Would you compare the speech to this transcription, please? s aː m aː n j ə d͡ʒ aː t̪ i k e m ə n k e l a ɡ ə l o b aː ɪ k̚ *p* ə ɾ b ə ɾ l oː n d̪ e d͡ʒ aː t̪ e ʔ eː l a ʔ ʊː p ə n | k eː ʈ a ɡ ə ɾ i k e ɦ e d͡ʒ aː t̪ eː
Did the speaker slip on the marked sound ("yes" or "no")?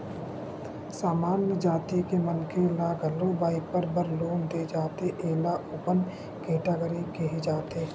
no